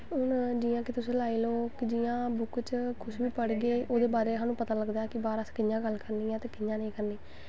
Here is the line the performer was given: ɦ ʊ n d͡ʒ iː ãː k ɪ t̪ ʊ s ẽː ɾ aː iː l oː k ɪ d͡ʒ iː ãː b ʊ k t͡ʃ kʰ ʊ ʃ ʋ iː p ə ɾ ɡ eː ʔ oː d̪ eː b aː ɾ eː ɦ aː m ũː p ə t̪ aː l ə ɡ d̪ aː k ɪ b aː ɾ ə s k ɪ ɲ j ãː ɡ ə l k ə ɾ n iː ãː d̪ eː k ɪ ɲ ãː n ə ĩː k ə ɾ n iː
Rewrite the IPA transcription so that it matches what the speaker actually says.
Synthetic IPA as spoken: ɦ ʊ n d͡ʒ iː ãː k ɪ t̪ ʊ s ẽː l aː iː l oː k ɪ d͡ʒ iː ãː b ʊ k t͡ʃ kʰ ʊ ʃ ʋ iː p ə ɽ ɡ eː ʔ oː d̪ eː b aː ɾ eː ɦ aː n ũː p ə t̪ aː l ə ɡ d̪ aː k ɪ b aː ɾ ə s k ɪ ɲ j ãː ɡ ə l k ə ɾ n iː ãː t̪ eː k ɪ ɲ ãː n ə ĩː k ə ɾ n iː